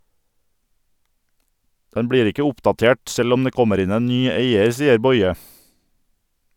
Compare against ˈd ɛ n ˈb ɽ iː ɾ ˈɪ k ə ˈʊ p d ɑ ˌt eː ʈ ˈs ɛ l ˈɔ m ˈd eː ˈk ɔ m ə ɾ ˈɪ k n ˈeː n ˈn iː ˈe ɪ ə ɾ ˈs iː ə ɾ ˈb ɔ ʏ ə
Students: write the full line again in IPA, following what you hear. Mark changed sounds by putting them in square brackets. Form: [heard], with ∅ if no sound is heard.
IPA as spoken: ˈd ɛ n ˈb ɽ iː ɾ ˈɪ k ə ˈʊ p d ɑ ˌt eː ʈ ˈs ɛ l ˈɔ m ˈd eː ˈk ɔ m ə ɾ ˈɪ [∅] n ˈeː n ˈn [yː] ˈe ɪ ə ɾ ˈs iː ə ɾ ˈb ɔ ʏ ə